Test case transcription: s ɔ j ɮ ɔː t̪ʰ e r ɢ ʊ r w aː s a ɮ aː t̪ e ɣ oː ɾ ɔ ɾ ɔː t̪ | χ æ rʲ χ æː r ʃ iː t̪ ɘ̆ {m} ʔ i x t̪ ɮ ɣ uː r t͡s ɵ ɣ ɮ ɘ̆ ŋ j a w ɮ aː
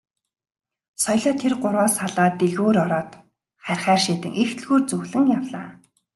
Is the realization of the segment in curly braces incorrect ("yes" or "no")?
yes